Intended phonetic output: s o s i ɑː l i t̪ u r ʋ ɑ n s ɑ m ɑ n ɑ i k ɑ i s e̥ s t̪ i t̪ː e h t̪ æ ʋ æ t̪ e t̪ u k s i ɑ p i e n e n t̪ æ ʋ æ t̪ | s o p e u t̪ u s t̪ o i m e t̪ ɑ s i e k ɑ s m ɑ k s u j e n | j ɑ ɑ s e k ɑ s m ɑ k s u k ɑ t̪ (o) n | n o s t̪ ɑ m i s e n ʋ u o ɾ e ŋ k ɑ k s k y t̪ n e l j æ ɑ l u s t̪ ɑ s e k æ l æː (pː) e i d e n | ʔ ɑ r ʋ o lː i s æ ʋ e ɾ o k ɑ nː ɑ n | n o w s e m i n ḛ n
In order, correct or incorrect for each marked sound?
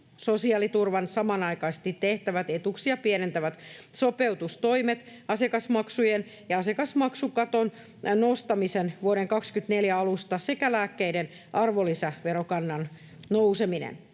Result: correct, incorrect: kː

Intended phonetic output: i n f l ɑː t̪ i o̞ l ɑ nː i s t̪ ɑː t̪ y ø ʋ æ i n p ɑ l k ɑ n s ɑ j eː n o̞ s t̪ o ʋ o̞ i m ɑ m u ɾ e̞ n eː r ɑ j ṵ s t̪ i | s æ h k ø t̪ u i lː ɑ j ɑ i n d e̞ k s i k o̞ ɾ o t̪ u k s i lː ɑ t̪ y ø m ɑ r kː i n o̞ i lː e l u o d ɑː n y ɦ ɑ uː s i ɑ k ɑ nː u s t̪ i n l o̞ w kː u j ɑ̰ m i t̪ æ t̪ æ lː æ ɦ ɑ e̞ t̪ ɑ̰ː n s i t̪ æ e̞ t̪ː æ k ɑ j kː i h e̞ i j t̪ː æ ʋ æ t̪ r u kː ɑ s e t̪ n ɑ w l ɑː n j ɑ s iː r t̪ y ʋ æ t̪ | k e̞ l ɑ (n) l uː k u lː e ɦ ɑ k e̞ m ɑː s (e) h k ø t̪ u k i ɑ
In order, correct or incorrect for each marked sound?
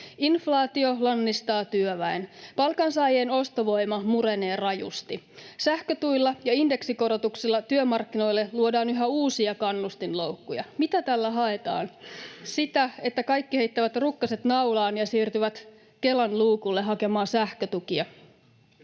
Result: correct, incorrect: æ

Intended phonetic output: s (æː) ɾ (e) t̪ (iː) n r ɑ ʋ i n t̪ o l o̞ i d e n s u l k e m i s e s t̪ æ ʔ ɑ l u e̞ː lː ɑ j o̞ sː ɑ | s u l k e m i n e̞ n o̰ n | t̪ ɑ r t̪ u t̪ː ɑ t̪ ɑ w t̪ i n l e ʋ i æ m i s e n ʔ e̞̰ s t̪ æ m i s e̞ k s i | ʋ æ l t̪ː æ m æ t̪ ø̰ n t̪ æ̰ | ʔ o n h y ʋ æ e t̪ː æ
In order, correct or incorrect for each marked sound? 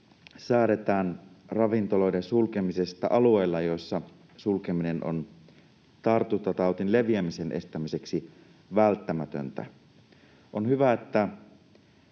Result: correct, correct, incorrect: æː

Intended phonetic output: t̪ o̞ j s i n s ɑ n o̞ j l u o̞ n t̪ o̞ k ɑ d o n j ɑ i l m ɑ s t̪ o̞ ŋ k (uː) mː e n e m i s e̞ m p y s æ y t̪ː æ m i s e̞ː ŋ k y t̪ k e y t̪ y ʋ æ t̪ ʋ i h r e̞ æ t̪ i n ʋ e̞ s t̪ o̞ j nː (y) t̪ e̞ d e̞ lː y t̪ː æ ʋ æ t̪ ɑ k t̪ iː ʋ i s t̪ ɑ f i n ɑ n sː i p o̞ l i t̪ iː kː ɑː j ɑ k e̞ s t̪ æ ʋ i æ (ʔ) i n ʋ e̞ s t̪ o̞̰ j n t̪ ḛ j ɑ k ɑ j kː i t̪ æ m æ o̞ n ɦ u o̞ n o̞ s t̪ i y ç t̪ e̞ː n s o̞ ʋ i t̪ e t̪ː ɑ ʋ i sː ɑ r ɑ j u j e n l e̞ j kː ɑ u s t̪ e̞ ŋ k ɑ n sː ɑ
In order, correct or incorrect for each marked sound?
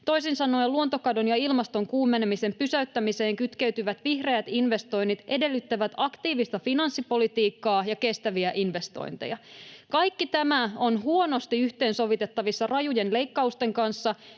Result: correct, incorrect: i, correct

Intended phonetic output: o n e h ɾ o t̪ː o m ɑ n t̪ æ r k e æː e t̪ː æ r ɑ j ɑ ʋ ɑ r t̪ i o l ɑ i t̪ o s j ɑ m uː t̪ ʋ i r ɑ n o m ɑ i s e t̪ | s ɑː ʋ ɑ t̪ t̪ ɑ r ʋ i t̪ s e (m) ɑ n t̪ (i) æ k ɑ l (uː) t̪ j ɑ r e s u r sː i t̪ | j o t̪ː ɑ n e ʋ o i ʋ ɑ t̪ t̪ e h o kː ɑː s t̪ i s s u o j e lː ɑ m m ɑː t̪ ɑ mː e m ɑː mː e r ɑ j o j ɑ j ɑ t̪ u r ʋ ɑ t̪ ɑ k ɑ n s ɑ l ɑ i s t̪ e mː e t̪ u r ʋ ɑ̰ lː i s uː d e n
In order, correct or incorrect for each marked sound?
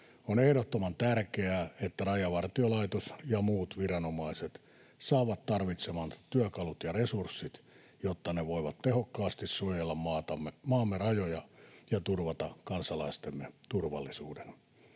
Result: correct, incorrect: y, incorrect: u

